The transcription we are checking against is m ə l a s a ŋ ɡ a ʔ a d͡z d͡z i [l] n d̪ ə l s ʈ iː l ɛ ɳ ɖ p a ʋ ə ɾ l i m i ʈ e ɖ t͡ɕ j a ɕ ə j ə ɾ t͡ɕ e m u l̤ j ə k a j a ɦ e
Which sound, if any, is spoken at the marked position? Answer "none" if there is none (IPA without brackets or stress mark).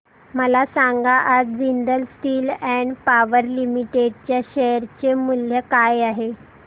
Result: none